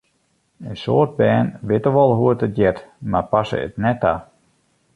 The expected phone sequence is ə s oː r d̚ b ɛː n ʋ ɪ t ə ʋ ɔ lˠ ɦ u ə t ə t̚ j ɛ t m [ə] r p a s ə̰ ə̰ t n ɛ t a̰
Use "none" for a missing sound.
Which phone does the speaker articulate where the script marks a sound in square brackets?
a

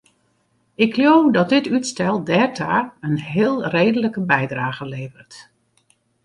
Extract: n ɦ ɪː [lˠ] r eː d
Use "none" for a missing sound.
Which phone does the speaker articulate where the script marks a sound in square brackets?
lˠ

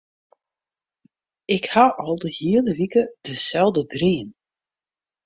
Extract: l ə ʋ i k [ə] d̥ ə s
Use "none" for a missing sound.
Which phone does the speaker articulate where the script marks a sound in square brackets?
ə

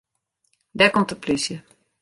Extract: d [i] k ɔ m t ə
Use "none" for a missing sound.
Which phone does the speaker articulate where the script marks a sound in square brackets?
ɛ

